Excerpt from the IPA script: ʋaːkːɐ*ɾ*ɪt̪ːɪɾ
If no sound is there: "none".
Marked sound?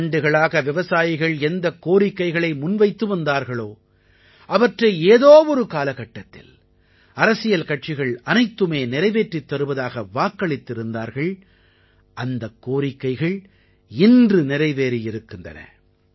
ɭ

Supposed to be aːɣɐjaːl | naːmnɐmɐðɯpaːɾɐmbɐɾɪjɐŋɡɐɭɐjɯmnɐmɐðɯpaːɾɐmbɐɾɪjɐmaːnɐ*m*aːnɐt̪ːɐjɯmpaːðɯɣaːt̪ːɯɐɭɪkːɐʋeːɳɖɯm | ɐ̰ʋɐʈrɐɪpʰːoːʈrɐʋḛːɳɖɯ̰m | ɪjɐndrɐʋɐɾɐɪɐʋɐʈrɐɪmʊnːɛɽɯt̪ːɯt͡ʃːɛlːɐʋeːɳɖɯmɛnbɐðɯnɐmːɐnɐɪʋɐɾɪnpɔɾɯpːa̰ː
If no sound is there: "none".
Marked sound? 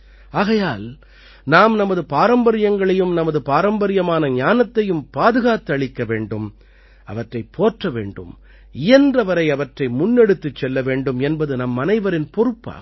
ɲ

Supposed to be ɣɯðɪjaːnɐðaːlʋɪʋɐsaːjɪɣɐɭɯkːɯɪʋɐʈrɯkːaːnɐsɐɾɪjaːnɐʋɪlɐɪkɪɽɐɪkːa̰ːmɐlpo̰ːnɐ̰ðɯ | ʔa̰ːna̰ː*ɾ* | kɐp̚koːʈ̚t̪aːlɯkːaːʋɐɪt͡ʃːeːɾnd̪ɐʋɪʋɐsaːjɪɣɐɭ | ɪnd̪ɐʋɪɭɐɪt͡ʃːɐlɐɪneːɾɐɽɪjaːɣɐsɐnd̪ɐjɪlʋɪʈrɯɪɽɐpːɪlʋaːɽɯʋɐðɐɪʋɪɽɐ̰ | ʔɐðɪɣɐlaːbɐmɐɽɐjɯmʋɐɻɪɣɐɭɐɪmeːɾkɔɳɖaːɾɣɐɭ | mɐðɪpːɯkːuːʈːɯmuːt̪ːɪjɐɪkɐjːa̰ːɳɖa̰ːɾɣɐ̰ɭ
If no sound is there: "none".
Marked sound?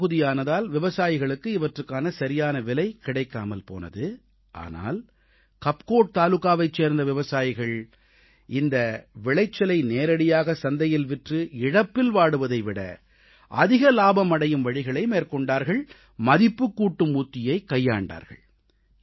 l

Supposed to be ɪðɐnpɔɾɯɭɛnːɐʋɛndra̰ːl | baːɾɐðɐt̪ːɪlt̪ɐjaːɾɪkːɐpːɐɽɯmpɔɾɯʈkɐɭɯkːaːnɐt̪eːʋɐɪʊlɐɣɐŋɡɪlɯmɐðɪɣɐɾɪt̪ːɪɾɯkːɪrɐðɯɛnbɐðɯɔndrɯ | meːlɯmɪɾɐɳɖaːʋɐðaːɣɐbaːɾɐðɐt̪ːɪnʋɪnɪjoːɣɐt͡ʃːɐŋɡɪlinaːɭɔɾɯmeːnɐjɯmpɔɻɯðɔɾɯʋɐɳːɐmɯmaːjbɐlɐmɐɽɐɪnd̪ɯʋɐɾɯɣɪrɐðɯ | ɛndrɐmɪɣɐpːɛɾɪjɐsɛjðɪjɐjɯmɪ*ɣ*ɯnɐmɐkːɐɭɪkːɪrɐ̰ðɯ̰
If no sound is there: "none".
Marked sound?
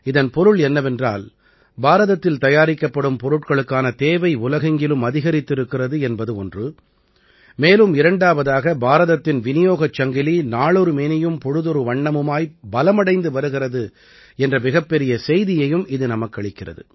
ð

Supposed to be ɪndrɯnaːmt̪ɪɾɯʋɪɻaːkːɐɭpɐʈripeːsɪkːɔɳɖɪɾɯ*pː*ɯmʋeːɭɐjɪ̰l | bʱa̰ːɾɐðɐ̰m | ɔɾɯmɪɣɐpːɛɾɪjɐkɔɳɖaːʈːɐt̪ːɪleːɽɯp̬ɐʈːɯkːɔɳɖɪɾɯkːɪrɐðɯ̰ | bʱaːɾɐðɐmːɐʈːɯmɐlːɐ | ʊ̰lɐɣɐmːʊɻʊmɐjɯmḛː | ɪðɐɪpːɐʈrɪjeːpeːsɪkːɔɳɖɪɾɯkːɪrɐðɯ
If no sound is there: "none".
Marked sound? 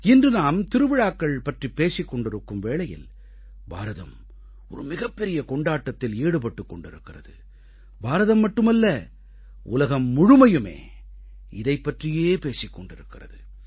kː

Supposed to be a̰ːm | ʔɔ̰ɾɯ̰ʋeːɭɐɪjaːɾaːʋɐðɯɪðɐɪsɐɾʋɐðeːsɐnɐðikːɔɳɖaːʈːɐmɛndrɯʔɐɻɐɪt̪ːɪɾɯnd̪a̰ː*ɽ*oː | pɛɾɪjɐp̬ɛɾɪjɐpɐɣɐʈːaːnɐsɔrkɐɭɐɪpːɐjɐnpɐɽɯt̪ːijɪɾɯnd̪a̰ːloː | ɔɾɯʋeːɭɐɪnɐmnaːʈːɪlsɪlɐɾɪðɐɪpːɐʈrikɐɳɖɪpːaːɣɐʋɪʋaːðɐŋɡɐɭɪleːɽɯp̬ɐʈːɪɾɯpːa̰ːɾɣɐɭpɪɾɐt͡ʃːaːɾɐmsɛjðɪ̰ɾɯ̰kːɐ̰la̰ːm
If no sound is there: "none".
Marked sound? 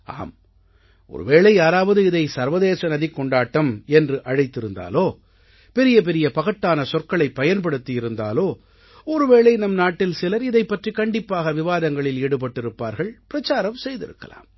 l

